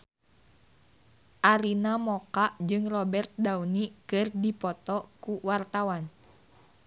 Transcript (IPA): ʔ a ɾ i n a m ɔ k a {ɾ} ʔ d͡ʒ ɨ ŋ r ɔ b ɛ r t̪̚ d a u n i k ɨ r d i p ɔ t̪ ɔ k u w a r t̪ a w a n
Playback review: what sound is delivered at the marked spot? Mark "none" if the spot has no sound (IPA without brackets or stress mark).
none